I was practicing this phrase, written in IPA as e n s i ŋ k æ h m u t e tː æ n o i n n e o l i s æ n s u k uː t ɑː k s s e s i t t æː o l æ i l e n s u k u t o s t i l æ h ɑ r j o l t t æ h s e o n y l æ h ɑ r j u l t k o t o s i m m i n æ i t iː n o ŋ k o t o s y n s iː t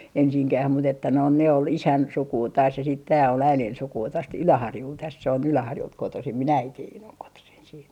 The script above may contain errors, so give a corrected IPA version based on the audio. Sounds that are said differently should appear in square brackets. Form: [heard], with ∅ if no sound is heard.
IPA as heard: e n s i ŋ k æ h m u t e tː æ n o i n n e o l i s æ n s u k uː t ɑː [∅] s s e s i t t æː o l æ i l e n s u k [uː] t o s t [y] l æ h ɑ r j [u] l t t æ [s] s e o n y l æ h ɑ r j u l t k o t o s i m m i n æ i t iː n o ŋ k o t o s [i] n s iː t